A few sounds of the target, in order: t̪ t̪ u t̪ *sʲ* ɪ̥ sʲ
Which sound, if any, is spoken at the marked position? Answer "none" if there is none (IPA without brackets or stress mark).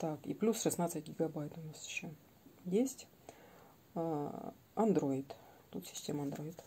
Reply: sʲ